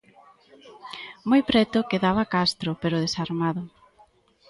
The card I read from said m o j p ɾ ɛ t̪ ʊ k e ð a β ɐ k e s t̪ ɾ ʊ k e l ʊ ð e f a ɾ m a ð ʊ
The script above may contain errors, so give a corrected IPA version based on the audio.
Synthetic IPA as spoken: m o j p ɾ ɛ t̪ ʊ k e ð a β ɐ k a s t̪ ɾ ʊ p e ɾ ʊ ð e s a ɾ m a ð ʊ

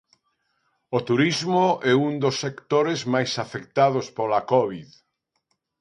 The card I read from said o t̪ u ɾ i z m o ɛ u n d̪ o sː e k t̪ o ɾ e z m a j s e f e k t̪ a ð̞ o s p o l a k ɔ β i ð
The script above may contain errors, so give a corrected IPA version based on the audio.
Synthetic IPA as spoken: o t̪ u ɾ i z m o ɛ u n d̪ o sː e k t̪ o ɾ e z m a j s a f e k t̪ a ð̞ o s p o l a k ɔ β i ð

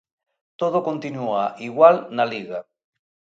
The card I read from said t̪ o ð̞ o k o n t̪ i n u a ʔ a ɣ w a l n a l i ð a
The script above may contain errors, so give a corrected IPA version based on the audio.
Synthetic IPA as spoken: t̪ o ð̞ o k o n t̪ i n u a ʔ i ɣ w a l n a l i ɣ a

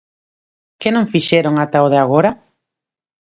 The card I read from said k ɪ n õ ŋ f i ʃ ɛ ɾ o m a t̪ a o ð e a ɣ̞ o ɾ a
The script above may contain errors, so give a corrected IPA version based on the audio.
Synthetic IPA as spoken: k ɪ n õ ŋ f i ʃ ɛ ɾ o ŋ a t̪ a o ð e a ɣ̞ o ɾ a

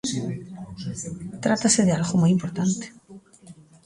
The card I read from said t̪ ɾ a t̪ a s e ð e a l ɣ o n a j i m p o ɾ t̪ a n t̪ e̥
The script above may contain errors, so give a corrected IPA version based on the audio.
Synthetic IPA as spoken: t̪ ɾ a t̪ a s e ð e a l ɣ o m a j i m p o ɾ t̪ a n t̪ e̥

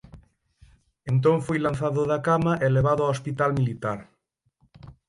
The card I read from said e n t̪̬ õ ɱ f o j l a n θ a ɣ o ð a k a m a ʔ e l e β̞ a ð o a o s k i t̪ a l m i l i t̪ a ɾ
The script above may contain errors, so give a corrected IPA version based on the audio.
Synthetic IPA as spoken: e n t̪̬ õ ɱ f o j l a n θ a ð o ð a k a m a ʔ e l e β̞ a ð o a o s p i t̪ a l m i l i t̪ a ɾ

